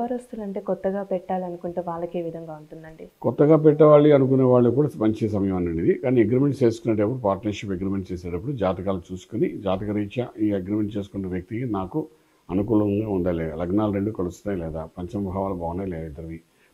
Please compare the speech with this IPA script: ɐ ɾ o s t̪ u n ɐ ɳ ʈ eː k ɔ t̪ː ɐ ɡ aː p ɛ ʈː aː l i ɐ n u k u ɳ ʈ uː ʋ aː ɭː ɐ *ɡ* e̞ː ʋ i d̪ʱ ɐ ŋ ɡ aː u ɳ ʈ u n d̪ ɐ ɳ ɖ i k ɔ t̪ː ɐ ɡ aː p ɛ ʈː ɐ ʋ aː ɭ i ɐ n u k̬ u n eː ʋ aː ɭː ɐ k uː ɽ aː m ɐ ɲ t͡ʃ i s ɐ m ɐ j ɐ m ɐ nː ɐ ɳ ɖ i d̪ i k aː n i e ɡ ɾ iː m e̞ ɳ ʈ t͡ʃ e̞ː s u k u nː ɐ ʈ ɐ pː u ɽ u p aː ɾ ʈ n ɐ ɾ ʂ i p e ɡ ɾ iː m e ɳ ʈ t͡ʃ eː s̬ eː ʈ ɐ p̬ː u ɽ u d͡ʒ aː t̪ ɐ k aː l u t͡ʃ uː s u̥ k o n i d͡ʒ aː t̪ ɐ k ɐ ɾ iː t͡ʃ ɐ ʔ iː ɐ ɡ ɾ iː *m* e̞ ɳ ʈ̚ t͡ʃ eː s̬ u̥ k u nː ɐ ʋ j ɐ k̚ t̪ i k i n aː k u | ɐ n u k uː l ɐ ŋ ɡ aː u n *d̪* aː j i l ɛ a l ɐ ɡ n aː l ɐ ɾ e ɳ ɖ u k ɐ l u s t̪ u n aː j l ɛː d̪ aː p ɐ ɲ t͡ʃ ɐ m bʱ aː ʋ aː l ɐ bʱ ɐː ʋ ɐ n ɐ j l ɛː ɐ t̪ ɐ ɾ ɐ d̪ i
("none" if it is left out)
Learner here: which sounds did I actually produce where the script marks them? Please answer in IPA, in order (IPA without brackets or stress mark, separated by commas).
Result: k, m, d̪